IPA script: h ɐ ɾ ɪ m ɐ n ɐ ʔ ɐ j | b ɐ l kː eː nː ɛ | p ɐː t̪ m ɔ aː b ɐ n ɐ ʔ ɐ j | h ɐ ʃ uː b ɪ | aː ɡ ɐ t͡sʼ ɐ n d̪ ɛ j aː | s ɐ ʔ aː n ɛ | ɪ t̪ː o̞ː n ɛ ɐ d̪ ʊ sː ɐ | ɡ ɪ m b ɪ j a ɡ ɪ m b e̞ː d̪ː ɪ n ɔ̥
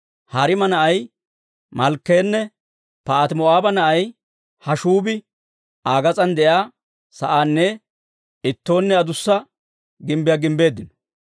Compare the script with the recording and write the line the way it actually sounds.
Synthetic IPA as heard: h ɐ ɾ ɪ m ɐ n ɐ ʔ ɐ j | m ɐ l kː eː nː ɛ | p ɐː t̪ m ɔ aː b ɐ n ɐ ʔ ɐ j | h ɐ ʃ uː b ɪ | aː ɡ ɐ t͡sʼ ɐ n d̪ ɛ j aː | s ɐ ʔ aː nː ɛ | ɪ t̪ː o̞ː nː ɛ ɐ d̪ ʊ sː ɐ | ɡ ɪ m b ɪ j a ɡ ɪ m b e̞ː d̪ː ɪ n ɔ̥